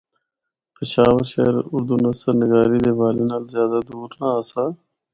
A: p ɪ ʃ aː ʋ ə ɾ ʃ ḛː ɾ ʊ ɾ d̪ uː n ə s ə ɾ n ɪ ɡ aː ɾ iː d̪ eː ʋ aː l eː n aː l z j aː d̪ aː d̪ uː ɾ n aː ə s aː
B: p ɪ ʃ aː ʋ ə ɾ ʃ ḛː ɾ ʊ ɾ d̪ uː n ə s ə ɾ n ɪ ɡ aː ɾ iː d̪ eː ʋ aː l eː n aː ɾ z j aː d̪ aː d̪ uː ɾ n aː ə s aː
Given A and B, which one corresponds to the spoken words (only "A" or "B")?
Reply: A